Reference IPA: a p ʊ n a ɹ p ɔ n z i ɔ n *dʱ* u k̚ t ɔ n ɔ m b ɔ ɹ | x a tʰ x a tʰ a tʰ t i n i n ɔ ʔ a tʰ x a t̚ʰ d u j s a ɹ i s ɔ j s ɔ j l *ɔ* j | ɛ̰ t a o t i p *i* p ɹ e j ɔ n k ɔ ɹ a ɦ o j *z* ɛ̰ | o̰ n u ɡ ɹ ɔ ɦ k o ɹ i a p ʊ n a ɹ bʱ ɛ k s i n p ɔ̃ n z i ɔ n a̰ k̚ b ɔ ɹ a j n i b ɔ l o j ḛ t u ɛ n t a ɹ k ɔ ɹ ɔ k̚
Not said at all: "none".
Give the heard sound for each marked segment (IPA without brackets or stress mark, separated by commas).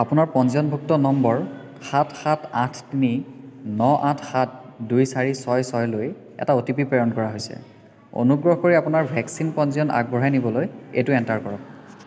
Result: bʱ, o, i, s